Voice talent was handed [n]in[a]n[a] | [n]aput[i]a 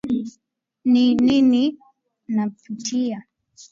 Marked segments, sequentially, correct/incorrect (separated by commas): correct, incorrect, incorrect, correct, correct